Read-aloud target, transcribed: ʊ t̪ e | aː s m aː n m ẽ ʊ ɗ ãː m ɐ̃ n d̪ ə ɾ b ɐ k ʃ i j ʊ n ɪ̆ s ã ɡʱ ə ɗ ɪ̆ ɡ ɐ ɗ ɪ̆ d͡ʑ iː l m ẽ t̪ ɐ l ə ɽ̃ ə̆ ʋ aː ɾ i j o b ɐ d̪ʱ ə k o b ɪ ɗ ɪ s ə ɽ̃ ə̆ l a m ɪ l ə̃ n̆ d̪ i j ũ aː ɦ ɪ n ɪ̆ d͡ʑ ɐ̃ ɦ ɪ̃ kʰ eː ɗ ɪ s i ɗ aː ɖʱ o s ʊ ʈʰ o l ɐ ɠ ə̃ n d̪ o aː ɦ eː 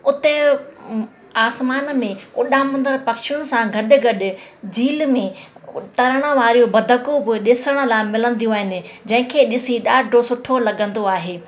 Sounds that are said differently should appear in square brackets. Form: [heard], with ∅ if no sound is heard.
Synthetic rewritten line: ʊ t̪ e | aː s m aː n m ẽ ʊ ɗ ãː m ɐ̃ n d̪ ə ɾ [p] ɐ k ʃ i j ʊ n ɪ̆ s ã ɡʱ [ɐ] ɗ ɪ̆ ɡ ɐ ɗ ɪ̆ d͡ʑ iː l m ẽ t̪ ɐ [ɾ] ə ɽ̃ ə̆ ʋ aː ɾ i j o b ɐ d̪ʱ ə k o b ɪ ɗ ɪ s ə ɽ̃ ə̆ l a m ɪ l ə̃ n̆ d̪ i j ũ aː ɦ ɪ n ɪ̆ d͡ʑ ɐ̃ ɦ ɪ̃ kʰ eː ɗ ɪ s i ɗ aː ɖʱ o s ʊ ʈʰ o l ɐ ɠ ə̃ n d̪ o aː ɦ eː

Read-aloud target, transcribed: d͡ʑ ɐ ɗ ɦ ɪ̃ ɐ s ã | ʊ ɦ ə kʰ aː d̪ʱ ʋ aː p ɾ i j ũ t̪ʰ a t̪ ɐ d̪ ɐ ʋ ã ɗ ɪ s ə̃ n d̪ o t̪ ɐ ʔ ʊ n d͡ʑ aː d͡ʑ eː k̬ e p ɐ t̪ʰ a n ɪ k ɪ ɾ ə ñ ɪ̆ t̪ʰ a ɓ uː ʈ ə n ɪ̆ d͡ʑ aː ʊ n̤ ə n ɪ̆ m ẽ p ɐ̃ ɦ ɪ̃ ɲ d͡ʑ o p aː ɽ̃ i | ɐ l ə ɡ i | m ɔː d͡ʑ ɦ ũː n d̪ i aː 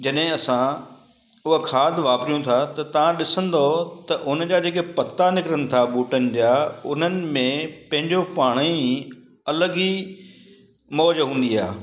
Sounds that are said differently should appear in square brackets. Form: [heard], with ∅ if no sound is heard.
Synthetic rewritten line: d͡ʑ ɐ ɗ ɦ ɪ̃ ɐ s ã | ʊ ɦ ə kʰ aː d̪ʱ ʋ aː p ɾ i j ũ t̪ʰ a t̪ ɐ [t̪] ɐ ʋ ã ɗ ɪ s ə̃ n d̪ o t̪ ɐ ʔ ʊ n d͡ʑ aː d͡ʑ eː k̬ e p ɐ [t̪] a n ɪ k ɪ ɾ ə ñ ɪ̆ t̪ʰ a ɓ uː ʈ ə n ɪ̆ d͡ʑ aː ʊ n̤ ə n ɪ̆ m ẽ p ɐ̃ ɦ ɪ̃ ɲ d͡ʑ o p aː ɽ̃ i | ɐ l ə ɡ i | m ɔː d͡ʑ ɦ ũː n d̪ i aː

